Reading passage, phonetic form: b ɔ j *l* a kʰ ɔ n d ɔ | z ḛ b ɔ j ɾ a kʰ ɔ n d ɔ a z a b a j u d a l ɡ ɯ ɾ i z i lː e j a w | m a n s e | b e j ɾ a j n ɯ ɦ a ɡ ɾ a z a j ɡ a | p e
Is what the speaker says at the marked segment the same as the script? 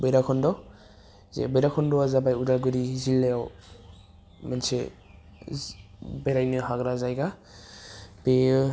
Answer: no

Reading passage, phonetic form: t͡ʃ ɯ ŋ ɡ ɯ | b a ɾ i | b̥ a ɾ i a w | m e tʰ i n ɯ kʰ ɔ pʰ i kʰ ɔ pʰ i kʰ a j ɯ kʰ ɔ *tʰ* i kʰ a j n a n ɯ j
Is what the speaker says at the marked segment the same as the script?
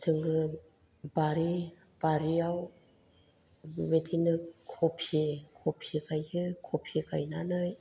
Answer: no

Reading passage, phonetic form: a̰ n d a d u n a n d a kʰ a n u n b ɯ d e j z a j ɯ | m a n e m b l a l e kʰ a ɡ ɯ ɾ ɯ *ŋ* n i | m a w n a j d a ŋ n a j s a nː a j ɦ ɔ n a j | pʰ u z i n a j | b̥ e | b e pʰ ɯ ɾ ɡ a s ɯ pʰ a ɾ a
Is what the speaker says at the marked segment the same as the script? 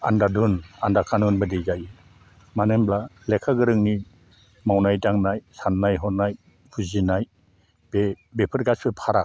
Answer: yes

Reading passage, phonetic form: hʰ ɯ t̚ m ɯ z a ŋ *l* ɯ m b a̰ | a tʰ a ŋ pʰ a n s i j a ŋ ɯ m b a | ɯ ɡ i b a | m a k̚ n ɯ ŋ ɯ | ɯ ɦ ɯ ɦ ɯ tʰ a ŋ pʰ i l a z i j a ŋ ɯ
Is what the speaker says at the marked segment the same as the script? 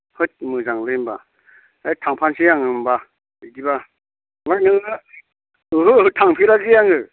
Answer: yes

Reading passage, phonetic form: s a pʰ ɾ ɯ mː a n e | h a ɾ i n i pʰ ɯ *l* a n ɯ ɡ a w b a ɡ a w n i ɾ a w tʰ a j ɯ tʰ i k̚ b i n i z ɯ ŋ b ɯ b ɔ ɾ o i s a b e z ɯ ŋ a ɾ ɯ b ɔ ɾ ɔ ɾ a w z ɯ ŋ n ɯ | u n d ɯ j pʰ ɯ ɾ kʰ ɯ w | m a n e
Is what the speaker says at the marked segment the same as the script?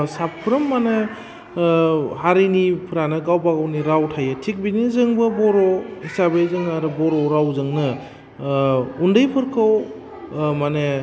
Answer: no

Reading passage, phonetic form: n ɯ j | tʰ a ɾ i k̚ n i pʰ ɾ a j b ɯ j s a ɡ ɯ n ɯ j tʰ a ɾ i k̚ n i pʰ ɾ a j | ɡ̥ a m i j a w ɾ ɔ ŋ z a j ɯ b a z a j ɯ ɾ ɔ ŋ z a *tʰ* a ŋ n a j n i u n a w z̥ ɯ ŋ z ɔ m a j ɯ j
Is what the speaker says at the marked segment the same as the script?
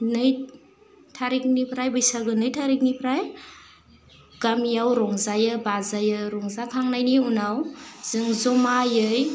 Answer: no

